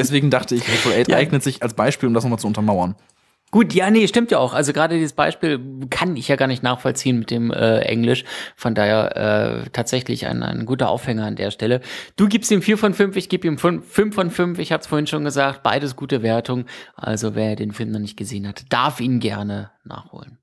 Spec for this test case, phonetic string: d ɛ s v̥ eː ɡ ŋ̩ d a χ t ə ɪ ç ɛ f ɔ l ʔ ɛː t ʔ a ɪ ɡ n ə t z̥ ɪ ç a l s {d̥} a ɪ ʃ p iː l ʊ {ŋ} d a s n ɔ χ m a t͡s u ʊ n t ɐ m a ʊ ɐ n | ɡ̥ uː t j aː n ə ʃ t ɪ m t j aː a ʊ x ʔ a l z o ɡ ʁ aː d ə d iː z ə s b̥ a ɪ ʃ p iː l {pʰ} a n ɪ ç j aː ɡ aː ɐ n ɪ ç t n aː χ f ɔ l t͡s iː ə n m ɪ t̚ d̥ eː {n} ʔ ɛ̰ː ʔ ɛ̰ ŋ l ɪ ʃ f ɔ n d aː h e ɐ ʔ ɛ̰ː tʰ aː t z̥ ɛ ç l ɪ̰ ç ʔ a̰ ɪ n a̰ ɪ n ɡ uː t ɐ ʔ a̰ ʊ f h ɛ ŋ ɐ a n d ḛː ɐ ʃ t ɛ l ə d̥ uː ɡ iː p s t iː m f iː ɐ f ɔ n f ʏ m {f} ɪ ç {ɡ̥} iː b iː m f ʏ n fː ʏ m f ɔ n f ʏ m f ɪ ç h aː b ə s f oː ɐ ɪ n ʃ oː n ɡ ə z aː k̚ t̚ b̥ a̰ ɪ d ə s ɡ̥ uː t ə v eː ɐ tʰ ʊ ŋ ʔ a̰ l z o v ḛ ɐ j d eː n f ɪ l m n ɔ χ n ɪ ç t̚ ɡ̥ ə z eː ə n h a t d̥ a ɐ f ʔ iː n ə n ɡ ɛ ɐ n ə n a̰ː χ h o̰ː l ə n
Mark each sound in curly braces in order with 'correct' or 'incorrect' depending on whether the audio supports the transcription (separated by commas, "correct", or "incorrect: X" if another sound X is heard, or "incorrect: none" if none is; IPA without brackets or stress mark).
incorrect: b̥, incorrect: m, incorrect: kʰ, incorrect: m, correct, correct